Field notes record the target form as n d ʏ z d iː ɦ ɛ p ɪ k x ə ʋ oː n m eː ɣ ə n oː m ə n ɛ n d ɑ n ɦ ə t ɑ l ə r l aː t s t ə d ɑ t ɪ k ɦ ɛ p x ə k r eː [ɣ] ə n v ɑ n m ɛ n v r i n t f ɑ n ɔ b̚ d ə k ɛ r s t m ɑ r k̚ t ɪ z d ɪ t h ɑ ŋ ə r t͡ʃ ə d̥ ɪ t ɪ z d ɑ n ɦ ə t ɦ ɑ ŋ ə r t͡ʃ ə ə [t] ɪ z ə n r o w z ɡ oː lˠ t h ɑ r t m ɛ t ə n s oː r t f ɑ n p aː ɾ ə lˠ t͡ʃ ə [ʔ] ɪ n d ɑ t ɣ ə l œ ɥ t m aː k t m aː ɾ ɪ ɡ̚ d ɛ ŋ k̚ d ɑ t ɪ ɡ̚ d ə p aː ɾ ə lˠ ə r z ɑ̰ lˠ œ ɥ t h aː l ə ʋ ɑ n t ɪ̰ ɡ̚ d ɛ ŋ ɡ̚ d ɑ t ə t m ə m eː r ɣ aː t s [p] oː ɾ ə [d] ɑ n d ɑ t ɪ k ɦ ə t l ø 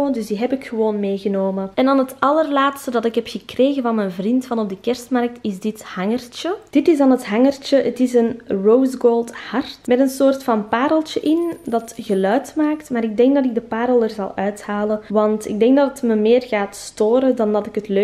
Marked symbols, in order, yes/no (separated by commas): yes, yes, yes, no, yes